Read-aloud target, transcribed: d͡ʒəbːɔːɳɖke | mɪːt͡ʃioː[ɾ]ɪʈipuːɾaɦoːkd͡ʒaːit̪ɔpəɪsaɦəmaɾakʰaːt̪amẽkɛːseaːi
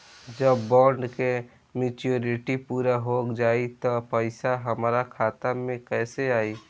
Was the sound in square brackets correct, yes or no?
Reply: yes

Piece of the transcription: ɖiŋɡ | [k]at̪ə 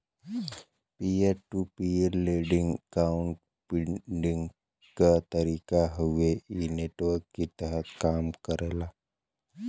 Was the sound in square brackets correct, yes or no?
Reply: yes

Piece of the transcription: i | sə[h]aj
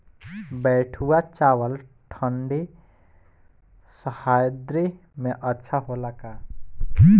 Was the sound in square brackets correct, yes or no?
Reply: yes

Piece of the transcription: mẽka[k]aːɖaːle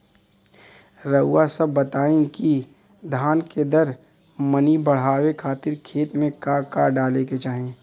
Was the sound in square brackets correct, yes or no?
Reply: yes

